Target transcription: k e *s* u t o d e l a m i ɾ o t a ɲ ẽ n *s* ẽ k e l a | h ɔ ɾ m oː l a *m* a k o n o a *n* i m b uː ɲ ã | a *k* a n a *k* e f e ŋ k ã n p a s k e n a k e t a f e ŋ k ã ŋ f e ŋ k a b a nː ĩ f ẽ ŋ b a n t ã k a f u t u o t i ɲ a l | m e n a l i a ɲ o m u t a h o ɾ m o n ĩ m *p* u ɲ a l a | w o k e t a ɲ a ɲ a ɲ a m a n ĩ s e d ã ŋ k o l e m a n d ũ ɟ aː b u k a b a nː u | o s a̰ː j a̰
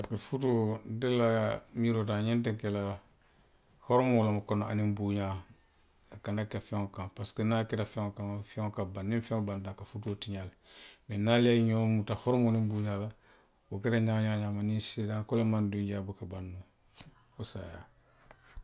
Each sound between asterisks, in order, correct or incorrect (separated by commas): incorrect, incorrect, correct, correct, correct, correct, incorrect